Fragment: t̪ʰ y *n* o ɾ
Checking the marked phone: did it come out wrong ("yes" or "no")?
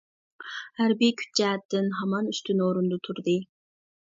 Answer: no